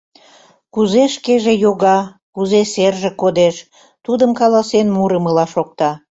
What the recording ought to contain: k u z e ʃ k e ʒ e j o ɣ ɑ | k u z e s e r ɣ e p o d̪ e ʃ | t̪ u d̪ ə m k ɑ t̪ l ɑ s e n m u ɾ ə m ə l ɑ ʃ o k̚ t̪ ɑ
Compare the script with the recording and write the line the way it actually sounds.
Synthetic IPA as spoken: k u z e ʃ k e ʒ e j o ɣ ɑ | k u z e s e r ʒ e k o d̪ e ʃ | t̪ u d̪ ə m k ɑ l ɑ s e n m u ɾ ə m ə l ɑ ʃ o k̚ t̪ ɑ